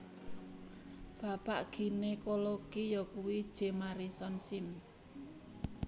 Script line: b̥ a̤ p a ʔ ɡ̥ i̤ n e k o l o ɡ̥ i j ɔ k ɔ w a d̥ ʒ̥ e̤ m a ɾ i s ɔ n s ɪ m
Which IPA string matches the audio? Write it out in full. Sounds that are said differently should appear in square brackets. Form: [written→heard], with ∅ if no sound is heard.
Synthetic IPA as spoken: b̥ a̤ p a ʔ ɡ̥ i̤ n e k o l o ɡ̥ i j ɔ k [ɔ→u] w [a→i] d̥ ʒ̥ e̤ m a ɾ i s ɔ n s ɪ m